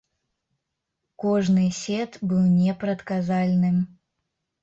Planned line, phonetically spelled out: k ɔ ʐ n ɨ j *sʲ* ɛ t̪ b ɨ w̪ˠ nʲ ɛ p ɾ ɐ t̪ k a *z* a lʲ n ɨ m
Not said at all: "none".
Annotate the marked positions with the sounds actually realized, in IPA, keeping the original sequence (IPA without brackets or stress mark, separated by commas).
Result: sʲ, z